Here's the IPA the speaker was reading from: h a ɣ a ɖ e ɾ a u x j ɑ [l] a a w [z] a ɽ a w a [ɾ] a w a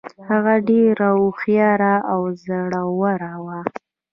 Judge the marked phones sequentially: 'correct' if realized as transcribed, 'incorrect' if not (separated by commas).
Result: incorrect, correct, correct